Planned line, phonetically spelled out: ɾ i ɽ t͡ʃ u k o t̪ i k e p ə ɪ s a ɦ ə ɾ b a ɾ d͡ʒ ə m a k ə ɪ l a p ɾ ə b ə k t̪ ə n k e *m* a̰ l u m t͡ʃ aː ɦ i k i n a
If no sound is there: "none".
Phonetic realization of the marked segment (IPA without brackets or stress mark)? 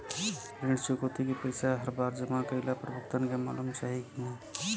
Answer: m